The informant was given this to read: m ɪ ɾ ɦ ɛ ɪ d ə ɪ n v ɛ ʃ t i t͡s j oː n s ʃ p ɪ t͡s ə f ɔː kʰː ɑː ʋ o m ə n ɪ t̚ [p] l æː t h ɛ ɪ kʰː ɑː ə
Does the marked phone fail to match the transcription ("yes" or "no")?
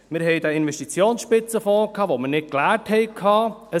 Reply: yes